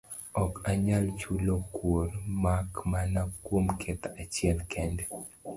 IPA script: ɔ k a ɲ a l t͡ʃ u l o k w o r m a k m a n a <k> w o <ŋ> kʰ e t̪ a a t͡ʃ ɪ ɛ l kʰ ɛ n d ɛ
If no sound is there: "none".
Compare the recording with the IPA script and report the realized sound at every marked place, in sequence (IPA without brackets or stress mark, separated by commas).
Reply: k, m